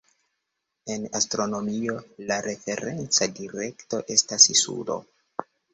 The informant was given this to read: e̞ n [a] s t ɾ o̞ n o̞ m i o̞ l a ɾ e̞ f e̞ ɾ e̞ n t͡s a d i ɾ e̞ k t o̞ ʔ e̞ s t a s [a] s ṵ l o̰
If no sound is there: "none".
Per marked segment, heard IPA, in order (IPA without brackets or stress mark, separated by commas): a, i